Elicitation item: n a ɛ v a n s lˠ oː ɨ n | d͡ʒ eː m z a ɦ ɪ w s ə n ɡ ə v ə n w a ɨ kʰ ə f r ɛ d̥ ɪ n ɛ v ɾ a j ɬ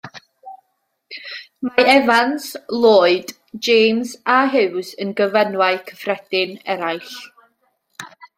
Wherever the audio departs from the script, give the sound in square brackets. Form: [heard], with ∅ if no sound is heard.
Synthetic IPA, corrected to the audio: [m] a ɛ v a n s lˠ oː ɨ [d] | d͡ʒ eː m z a ɦ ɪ w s ə n ɡ ə v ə n w a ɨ kʰ ə f r ɛ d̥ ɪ n ɛ [∅] ɾ a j ɬ

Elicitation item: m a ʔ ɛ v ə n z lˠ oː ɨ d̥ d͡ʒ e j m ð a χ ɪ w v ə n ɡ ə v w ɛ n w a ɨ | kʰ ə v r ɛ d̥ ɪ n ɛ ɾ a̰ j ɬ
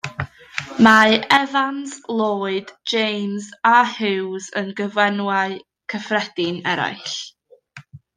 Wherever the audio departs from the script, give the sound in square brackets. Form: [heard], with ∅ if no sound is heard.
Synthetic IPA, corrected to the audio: m a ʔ ɛ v [a] n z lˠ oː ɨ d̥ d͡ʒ e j m [z] a [h] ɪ w [z] ə n ɡ ə v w ɛ n w a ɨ | kʰ ə [f] r ɛ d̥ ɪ n ɛ ɾ a̰ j ɬ

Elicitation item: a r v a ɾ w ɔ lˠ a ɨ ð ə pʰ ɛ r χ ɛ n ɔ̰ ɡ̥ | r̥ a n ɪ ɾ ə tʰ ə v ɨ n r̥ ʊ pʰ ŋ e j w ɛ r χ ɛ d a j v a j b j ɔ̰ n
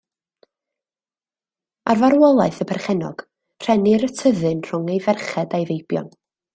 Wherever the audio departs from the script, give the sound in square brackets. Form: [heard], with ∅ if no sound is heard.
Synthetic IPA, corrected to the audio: a r v a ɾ w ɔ lˠ a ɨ [θ] ə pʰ ɛ r χ ɛ n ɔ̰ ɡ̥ | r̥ [ɛ] n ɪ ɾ ə tʰ ə [ð] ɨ n r̥ ʊ [∅] ŋ e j [v] ɛ r χ ɛ d a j v [e] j b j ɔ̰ n

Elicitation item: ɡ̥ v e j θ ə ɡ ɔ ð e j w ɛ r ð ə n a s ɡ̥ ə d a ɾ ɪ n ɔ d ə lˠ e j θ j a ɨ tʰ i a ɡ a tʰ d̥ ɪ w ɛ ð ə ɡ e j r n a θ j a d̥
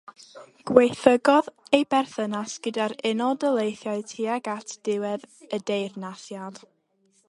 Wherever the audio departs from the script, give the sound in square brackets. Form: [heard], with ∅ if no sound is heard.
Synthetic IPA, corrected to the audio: ɡ̥ [w] e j θ ə ɡ ɔ ð e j [b] ɛ r [θ] ə n a s ɡ̥ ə d a ɾ ɪ n ɔ d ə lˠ e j θ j a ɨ tʰ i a ɡ a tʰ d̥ ɪ w ɛ ð ə [d] e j r n a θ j a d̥

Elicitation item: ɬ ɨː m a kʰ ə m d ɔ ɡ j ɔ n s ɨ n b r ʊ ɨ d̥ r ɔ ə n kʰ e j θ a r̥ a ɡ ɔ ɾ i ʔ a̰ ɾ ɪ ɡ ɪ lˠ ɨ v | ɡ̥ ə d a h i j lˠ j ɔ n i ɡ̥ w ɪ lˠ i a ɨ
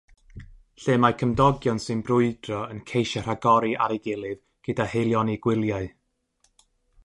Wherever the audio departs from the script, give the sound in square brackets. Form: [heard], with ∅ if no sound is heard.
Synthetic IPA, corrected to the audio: ɬ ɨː m a kʰ ə m d ɔ ɡ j ɔ n s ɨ n b r ʊ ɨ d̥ r ɔ ə n kʰ e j [ʃ] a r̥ a ɡ ɔ ɾ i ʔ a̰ ɾ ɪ ɡ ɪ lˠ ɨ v | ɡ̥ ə d a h [e] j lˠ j ɔ n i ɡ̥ w ɪ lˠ [j] a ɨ

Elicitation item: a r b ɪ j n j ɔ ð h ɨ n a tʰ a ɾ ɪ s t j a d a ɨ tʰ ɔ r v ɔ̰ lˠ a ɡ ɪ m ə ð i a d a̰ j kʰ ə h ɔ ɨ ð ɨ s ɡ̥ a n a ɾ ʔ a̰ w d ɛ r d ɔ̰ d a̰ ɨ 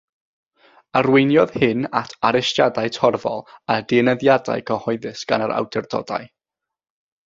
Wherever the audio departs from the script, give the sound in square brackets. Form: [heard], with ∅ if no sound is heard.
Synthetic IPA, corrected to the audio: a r [w] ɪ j n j ɔ ð h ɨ n a tʰ a ɾ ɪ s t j a d a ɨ tʰ ɔ r v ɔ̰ lˠ a [d] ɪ [n] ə ð [j] a d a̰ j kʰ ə h ɔ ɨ ð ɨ s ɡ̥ a n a ɾ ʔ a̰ w d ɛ r d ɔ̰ d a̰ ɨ

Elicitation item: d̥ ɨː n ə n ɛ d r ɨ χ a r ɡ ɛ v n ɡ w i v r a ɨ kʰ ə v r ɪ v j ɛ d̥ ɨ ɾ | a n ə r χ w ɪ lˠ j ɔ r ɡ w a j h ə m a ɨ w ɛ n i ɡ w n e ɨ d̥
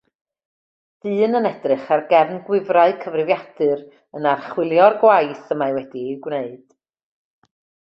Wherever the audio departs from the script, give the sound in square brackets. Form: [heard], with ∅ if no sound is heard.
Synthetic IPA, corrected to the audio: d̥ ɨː n ə n ɛ d r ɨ χ a r ɡ ɛ v n ɡ w [ɪ] v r a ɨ kʰ ə v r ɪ v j [a] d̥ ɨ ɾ | [ə] n [a] r χ w ɪ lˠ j ɔ r ɡ w a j [θ] ə m a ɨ w ɛ [d] i ɡ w n e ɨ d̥

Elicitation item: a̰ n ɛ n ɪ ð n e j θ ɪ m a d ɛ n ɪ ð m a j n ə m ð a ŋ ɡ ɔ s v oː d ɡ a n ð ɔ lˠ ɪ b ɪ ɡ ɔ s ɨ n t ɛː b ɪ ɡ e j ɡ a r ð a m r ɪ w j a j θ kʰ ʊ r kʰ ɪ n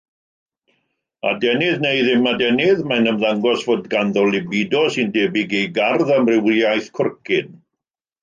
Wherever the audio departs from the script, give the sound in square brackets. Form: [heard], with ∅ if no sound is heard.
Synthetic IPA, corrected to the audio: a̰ [d] ɛ n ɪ ð n e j [ð] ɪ m a d ɛ n ɪ ð m a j n ə m ð a ŋ ɡ ɔ s v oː d ɡ a n ð ɔ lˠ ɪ b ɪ [d] ɔ s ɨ n [d] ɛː b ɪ ɡ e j ɡ a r ð a m r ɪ w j a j θ kʰ ʊ r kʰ ɪ n

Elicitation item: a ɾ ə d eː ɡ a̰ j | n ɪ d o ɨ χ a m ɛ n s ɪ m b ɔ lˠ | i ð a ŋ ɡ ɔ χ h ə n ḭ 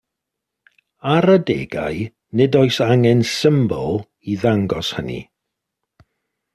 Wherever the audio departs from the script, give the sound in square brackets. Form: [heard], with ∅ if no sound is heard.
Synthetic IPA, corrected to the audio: a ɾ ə d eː ɡ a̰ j | n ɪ d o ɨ [s] a [ŋ] ɛ n s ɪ m b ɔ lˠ | i ð a ŋ ɡ ɔ [s] h ə n ḭ

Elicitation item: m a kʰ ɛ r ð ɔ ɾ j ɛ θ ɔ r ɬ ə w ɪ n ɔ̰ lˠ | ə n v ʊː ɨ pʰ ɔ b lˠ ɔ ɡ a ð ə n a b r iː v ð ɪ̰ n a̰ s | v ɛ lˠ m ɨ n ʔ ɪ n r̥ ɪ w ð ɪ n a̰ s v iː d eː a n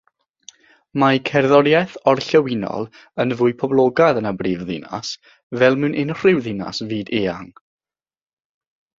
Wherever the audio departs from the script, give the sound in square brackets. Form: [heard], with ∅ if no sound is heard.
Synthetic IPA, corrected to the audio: m a kʰ ɛ r ð ɔ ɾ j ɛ θ ɔ r ɬ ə w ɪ n ɔ̰ lˠ | ə n v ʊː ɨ pʰ ɔ b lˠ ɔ ɡ a ð ə n a b r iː v ð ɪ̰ n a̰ s | v ɛ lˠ m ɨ n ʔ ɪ n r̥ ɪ w ð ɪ n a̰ s v iː d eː a [ŋ]

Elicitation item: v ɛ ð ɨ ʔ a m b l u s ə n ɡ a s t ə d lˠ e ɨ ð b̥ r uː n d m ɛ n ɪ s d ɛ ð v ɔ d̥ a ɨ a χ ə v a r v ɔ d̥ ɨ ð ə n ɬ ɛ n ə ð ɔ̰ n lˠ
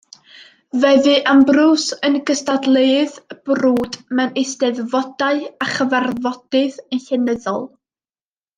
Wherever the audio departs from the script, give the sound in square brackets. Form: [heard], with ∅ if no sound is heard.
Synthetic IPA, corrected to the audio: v ɛ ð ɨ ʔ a m b [r] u s ə n ɡ [ə] s t [a] d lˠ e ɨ ð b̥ r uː [∅] d m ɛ n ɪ s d ɛ ð v ɔ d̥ a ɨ a χ ə v a r v ɔ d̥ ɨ ð ə n ɬ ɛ n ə ð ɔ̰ [∅] lˠ

